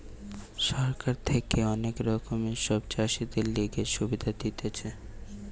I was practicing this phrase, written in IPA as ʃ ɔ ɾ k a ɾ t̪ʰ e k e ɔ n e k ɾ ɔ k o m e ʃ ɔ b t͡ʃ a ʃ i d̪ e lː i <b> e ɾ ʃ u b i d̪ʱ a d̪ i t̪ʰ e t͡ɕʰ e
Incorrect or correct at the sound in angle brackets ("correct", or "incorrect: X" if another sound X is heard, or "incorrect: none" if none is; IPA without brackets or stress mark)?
incorrect: ɡ